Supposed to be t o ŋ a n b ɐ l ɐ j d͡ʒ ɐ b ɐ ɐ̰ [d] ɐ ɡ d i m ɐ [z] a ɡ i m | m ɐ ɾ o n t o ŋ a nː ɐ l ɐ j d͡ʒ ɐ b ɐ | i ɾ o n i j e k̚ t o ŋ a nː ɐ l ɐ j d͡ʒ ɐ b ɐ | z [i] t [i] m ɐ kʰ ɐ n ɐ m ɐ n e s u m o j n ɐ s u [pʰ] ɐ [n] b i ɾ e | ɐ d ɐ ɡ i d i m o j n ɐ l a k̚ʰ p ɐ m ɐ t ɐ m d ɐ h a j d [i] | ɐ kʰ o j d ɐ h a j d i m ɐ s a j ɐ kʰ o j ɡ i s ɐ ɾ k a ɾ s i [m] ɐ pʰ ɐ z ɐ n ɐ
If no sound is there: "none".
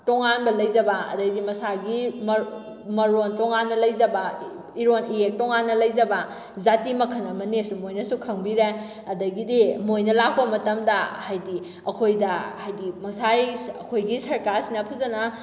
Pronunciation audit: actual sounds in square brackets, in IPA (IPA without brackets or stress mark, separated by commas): d, s, a, i, kʰ, ŋ, i, n